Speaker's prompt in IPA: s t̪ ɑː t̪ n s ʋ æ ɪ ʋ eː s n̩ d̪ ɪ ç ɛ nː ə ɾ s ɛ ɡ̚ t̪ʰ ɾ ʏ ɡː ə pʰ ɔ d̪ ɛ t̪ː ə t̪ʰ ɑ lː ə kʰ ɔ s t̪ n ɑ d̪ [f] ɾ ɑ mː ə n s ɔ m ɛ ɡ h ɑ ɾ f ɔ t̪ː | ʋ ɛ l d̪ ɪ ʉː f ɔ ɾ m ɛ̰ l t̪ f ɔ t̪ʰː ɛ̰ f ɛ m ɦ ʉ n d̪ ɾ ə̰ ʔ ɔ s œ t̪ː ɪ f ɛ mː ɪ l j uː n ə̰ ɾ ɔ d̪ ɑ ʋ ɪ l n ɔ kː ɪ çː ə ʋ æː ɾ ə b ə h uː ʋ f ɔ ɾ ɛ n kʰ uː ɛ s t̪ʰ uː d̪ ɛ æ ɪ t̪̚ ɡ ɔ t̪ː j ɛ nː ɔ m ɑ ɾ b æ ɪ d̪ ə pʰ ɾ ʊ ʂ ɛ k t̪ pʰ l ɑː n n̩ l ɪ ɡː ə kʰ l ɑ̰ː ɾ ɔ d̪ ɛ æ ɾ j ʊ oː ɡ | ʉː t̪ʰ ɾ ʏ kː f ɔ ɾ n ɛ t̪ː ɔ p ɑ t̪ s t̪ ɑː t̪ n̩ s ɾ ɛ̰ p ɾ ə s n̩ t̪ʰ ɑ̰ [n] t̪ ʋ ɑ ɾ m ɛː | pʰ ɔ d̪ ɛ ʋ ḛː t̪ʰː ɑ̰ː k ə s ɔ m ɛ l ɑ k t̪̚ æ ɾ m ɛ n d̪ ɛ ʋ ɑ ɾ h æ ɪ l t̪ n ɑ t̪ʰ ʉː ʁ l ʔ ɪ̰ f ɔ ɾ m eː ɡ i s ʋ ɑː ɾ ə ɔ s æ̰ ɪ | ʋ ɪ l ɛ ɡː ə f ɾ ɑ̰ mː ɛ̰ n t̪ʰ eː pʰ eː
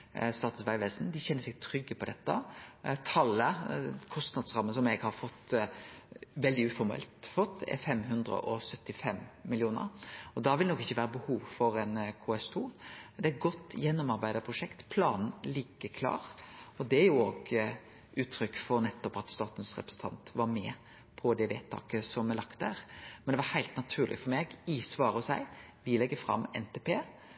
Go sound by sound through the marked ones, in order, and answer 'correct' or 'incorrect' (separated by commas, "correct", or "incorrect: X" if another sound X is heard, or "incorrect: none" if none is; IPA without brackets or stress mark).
incorrect: s, correct